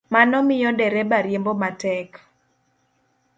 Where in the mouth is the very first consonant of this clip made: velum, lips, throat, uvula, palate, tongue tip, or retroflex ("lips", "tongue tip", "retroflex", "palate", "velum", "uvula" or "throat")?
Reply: lips